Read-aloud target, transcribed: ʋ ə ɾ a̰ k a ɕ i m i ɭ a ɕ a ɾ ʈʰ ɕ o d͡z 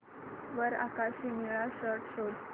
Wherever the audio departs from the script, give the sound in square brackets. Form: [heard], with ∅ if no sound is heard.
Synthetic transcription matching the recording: ʋ ə ɾ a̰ k a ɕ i m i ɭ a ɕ [ə] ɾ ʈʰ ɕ o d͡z

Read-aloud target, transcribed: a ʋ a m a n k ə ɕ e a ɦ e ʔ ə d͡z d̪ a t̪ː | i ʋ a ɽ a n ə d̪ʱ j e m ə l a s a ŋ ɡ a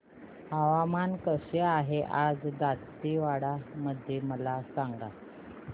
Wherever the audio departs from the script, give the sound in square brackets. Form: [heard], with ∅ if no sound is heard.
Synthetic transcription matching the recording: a ʋ a m a n k ə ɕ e a ɦ e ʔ [a] d͡z d̪ a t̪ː | i ʋ a ɽ a [m] ə d̪ʱ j e m ə l a s a ŋ ɡ a

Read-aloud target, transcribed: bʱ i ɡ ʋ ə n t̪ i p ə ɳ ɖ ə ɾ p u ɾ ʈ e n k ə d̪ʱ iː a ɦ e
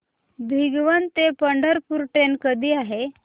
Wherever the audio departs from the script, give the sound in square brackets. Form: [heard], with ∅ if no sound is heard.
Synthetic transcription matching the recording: bʱ i ɡ ʋ ə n t̪ [e] p ə ɳ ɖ ə ɾ p u ɾ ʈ e n k ə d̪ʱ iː a ɦ e

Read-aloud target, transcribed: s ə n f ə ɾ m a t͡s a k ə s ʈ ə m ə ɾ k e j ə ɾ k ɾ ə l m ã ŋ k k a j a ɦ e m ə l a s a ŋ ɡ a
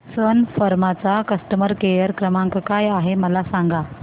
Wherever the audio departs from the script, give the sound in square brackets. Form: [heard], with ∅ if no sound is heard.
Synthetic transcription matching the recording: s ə n f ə ɾ m a t͡s a k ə s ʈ ə m ə ɾ k e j ə ɾ k ɾ ə [∅] m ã ŋ k k a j a ɦ e m ə l a s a ŋ ɡ a

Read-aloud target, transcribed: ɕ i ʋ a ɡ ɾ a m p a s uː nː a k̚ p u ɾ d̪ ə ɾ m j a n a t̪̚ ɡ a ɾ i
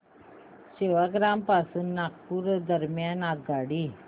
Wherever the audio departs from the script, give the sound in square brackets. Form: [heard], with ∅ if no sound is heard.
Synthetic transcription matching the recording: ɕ [e] ʋ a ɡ ɾ a m p a s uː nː a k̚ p u ɾ d̪ ə ɾ m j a n a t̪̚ ɡ a [ɽ] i

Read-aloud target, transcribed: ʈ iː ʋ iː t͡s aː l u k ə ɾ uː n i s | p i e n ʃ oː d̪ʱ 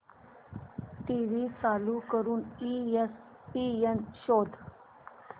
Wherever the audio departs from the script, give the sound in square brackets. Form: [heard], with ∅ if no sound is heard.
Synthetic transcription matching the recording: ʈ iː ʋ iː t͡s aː l u k ə ɾ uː n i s | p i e n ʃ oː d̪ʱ

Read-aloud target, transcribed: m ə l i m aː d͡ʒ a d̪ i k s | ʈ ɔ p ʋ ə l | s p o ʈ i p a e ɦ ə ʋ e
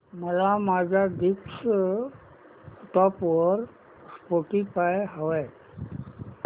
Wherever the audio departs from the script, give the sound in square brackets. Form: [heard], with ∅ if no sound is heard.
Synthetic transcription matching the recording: m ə l [a] m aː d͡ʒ a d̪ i k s | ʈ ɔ p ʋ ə [ɾ] | s p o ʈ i p a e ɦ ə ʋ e

